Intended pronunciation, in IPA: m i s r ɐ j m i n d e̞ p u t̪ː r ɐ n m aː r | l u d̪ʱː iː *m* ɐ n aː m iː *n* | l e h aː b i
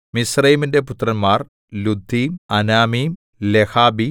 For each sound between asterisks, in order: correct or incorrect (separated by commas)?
correct, incorrect